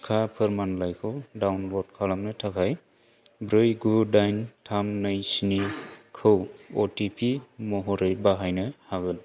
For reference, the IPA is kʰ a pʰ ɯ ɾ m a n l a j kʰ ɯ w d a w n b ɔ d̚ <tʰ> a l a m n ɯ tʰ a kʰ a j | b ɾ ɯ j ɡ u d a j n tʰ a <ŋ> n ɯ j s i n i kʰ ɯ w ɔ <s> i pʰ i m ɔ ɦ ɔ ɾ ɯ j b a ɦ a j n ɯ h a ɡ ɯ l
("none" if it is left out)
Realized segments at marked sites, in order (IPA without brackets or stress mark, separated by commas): kʰ, m, t